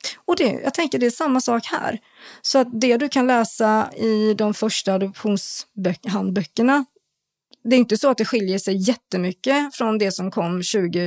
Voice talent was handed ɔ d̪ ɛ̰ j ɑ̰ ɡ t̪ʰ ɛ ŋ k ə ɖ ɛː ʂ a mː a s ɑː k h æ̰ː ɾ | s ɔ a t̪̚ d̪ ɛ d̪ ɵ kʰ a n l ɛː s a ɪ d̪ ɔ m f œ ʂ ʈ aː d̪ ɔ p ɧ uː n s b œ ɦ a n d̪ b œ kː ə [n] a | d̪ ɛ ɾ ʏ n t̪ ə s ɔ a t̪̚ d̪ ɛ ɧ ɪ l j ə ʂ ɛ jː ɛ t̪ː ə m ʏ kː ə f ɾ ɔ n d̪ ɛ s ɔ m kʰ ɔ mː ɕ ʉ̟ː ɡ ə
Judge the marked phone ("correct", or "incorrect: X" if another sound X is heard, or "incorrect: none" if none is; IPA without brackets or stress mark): incorrect: ɳ